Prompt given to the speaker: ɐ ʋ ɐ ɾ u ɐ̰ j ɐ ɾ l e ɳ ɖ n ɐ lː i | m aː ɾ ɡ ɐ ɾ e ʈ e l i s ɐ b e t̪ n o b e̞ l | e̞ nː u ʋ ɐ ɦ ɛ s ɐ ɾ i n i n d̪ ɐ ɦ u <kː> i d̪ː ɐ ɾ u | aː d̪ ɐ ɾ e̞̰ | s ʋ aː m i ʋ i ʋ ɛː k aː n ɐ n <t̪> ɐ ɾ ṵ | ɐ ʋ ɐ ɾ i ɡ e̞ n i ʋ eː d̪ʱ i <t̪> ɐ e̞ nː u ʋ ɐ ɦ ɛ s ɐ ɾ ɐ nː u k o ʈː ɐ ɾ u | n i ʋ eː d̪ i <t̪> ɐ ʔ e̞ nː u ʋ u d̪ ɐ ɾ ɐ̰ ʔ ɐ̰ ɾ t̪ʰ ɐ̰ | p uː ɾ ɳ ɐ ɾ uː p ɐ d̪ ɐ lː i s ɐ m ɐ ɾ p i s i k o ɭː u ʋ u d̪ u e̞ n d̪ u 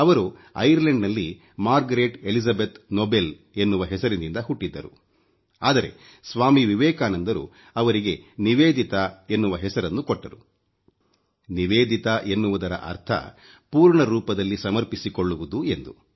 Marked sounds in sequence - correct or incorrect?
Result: incorrect: ʈː, incorrect: d̪, correct, correct

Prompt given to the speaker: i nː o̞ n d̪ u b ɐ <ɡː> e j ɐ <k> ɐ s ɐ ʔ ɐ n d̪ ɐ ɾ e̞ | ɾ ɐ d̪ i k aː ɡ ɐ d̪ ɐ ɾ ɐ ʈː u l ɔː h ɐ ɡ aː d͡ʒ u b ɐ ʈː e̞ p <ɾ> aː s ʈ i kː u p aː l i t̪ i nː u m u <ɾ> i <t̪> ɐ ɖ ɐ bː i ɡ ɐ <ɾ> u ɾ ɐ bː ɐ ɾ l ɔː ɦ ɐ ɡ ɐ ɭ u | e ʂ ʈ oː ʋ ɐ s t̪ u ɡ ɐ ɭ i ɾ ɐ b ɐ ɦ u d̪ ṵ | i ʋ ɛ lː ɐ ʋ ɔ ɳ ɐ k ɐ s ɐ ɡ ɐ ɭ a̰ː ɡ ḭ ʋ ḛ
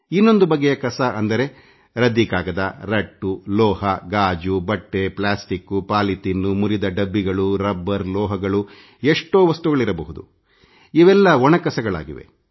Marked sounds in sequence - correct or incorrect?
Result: correct, correct, incorrect: l, correct, incorrect: d̪, incorrect: ɭ

